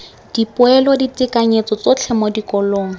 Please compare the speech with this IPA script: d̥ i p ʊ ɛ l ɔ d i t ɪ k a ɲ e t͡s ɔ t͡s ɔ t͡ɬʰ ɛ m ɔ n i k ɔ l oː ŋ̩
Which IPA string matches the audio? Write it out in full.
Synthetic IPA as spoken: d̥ i p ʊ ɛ l ɔ d i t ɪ k a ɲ e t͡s ɔ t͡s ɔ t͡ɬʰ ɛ m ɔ d i k ɔ l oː ŋ̩